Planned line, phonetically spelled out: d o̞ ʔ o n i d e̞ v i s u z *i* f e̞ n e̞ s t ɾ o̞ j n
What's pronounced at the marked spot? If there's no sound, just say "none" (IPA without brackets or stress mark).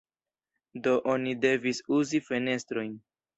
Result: i